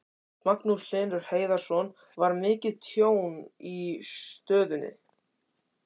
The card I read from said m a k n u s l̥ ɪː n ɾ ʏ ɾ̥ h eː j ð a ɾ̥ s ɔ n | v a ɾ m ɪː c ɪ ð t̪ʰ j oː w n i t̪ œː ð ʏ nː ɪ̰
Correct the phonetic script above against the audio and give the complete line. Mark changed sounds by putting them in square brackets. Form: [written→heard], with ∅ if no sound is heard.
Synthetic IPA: m a k n u s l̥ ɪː n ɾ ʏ ɾ̥ h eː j ð a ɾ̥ s ɔ n | v a ɾ m ɪː c ɪ ð t̪ʰ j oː w n i t̪ œː ð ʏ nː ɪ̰